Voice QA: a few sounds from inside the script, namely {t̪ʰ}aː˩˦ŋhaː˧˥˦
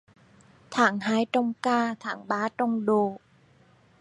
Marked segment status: correct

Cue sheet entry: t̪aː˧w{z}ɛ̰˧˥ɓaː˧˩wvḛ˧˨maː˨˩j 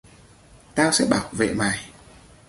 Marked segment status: incorrect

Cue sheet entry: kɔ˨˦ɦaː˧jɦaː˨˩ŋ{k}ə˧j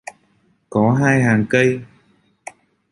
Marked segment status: correct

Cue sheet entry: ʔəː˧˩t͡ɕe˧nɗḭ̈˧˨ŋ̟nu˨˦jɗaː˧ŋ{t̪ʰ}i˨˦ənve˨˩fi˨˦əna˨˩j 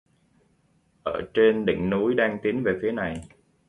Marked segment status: incorrect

